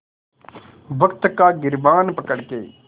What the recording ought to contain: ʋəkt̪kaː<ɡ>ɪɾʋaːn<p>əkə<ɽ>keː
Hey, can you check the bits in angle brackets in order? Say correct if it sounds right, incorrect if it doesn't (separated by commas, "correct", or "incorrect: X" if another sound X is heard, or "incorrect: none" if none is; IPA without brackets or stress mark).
correct, correct, correct